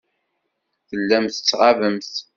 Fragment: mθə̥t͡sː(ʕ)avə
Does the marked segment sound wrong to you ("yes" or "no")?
yes